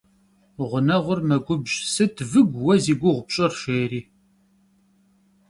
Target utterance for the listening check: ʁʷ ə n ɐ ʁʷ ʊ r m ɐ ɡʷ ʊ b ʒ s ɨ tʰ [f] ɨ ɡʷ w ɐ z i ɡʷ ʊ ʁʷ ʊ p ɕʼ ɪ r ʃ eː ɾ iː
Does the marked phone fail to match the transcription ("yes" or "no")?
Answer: yes